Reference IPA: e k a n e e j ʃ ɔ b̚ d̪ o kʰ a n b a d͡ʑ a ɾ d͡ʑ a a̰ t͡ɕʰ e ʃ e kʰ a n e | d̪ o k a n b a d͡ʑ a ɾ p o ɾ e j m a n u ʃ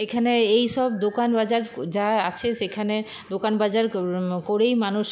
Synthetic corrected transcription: e kʰ a n e e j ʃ ɔ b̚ d̪ o k a n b a d͡ʑ a ɾ d͡ʑ a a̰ t͡ɕʰ e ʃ e kʰ a n e | d̪ o k a n b a d͡ʑ a ɾ k o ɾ e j m a n u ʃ